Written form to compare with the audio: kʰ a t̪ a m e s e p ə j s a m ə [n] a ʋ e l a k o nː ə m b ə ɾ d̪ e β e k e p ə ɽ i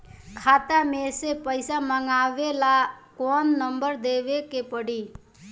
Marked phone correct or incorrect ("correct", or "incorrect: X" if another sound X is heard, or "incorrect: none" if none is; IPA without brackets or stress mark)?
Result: incorrect: ŋ